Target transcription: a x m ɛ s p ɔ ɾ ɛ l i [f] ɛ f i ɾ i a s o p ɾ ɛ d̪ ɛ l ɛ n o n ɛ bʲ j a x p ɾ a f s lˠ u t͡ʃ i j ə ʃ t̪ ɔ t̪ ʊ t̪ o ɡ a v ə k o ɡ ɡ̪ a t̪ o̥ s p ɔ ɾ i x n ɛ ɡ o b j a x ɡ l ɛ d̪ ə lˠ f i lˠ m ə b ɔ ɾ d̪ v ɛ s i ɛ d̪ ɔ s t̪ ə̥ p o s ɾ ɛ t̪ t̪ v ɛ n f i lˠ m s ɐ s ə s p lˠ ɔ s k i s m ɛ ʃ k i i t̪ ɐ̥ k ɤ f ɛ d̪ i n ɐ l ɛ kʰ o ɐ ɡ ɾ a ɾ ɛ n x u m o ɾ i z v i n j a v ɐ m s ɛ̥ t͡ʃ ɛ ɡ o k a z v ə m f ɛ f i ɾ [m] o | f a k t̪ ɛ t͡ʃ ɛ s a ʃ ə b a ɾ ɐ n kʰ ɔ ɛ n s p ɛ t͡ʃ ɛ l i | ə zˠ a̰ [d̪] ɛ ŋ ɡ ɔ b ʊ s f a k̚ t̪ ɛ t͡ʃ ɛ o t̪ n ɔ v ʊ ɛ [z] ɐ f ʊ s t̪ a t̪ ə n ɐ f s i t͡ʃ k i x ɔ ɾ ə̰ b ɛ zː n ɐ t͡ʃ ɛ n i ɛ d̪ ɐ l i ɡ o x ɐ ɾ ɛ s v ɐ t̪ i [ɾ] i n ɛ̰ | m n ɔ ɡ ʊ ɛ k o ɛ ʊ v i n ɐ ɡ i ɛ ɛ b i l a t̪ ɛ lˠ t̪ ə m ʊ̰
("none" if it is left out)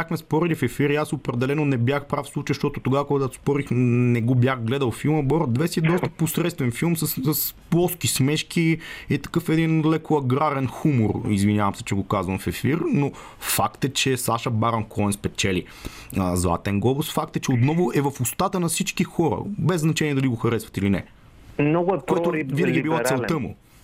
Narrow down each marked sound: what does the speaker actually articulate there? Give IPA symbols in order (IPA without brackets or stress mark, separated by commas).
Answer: f, n, t̪, v, l